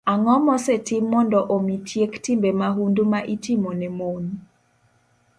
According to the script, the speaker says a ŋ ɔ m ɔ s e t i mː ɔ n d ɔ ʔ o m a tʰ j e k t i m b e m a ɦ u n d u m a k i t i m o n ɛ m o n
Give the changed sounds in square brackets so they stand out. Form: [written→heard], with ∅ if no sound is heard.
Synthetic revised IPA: a ŋ ɔ m ɔ s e t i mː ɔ n d ɔ ʔ o m [a→i] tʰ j e k t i m b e m a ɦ u n d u m a [k→ʔ] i t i m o n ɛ m o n